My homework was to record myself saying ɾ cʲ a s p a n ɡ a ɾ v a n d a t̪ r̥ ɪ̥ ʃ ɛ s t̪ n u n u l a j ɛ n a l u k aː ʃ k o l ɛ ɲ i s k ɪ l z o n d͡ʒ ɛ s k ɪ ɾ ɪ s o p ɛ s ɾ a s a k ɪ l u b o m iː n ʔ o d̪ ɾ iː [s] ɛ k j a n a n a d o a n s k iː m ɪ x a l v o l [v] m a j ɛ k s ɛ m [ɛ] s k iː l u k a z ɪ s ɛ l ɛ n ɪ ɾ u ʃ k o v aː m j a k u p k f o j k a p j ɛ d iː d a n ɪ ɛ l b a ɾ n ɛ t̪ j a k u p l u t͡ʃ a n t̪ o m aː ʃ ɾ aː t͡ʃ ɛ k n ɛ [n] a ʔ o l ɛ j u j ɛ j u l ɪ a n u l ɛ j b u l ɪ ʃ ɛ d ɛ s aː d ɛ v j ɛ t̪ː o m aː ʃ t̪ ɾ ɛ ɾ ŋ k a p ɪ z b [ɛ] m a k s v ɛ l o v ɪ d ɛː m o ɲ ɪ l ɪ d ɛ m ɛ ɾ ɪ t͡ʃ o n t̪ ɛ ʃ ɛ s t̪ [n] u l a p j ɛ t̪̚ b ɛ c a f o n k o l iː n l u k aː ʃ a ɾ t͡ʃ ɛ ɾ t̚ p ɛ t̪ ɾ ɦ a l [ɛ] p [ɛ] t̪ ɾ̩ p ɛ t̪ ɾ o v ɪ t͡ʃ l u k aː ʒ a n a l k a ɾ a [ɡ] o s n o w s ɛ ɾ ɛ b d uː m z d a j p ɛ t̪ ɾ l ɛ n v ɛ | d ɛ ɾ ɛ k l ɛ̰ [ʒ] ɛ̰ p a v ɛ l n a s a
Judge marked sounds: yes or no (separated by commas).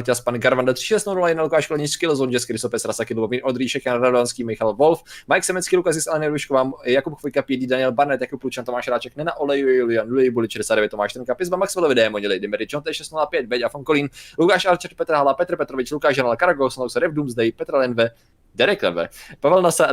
no, no, yes, yes, no, yes, no, yes, yes, no